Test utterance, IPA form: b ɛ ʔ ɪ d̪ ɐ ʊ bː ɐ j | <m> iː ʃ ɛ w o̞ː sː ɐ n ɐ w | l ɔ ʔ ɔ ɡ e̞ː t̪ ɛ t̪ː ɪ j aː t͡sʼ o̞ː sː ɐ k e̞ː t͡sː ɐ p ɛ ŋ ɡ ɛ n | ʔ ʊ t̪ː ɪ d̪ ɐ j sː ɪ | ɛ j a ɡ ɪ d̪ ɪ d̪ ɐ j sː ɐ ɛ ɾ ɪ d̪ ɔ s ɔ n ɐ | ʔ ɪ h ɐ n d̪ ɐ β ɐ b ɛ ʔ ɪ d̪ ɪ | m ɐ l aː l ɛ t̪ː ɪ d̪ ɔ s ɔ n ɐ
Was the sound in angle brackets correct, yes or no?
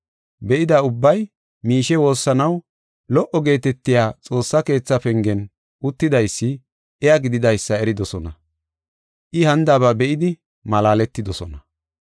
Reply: yes